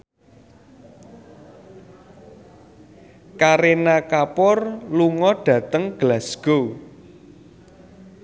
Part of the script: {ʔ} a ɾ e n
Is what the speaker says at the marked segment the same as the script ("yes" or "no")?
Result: no